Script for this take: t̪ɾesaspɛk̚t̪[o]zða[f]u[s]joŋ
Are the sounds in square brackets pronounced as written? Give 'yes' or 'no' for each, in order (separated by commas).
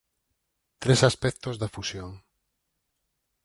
yes, yes, yes